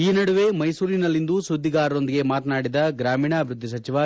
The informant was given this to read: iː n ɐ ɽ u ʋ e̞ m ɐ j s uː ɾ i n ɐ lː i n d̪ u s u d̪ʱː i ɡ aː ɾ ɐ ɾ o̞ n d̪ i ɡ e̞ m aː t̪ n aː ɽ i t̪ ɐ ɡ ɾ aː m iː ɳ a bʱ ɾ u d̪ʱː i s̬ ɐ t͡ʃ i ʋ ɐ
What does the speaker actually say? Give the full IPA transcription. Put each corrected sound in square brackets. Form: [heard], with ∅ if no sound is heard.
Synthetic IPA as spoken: iː n ɐ ɽ u ʋ e̞ m ɐ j s uː ɾ i n ɐ lː i n d̪ u s u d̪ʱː i ɡ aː ɾ ɐ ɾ o̞ n d̪ i ɡ e̞ m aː t̪ n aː ɽ i [d̪] ɐ ɡ ɾ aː m iː ɳ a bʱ ɾ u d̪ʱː i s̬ ɐ t͡ʃ i ʋ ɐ